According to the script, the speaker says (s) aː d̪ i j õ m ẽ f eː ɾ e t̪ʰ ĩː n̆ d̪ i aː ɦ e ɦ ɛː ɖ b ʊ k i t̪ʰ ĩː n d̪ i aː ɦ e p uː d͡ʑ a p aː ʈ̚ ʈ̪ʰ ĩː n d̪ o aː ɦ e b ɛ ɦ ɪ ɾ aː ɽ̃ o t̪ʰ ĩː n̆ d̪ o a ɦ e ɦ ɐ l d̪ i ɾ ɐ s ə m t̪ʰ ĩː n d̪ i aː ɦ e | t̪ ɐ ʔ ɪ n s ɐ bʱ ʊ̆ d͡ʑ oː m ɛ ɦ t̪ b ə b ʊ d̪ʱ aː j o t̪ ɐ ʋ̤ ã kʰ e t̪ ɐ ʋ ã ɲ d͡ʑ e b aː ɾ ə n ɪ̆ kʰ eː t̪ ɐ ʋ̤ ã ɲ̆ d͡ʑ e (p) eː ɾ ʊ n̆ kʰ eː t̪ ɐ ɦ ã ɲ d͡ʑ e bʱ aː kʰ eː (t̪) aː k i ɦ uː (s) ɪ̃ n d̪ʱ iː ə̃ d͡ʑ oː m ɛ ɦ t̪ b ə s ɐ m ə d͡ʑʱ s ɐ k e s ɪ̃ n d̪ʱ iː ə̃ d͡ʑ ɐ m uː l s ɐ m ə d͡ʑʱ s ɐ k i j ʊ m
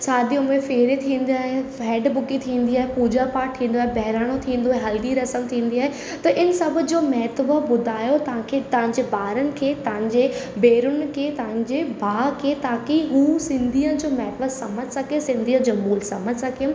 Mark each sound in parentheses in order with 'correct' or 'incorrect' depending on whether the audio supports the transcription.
correct, incorrect: b, correct, correct

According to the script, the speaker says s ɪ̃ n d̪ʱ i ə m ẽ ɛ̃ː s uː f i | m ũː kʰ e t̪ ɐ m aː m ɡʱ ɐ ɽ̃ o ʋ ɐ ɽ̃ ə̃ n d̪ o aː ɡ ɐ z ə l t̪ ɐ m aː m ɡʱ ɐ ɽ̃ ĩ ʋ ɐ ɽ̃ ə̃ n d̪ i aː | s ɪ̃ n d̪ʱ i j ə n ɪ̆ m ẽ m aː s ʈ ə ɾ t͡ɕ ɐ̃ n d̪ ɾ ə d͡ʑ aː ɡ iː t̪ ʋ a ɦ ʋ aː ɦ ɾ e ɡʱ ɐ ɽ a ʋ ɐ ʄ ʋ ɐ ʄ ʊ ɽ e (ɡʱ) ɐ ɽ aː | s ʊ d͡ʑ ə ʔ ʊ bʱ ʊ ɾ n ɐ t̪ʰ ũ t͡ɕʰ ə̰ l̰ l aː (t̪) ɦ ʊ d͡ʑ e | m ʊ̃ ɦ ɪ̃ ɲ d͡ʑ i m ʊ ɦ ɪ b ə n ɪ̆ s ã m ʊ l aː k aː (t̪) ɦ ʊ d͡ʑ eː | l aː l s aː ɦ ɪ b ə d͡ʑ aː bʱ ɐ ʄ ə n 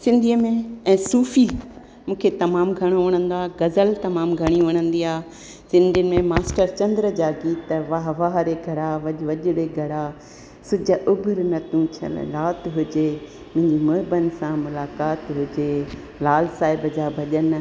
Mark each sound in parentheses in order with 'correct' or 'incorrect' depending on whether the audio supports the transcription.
correct, correct, correct

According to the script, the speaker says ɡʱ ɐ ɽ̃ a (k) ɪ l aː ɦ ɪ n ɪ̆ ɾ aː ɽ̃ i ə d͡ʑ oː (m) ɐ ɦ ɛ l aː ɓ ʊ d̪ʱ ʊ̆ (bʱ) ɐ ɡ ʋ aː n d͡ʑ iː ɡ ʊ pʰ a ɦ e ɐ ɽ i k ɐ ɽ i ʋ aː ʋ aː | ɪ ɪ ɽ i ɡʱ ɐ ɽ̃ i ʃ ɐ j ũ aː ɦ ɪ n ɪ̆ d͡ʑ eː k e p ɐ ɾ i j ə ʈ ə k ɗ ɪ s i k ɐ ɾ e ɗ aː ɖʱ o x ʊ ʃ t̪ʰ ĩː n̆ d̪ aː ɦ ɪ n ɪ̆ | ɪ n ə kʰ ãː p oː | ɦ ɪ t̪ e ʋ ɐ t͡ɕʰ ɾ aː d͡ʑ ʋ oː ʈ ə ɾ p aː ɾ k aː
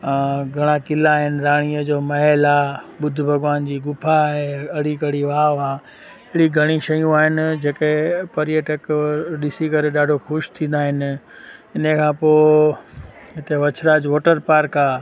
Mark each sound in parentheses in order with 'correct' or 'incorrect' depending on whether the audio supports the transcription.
correct, correct, correct

